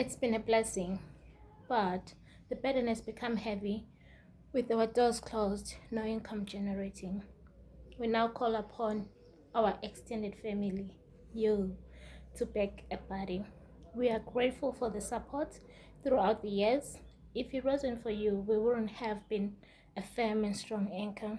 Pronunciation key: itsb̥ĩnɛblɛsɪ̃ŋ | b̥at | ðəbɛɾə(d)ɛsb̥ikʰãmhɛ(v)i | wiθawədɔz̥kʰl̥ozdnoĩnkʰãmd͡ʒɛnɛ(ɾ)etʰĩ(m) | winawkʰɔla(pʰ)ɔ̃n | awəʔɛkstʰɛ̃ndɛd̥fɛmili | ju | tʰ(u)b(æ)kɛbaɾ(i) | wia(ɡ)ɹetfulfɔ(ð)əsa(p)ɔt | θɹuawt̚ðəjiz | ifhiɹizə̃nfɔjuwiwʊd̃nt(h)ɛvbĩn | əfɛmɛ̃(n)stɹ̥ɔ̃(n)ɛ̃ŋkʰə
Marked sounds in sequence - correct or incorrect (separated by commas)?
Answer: incorrect, correct, incorrect, incorrect, correct, correct, incorrect, correct, correct, correct, incorrect, correct, correct, incorrect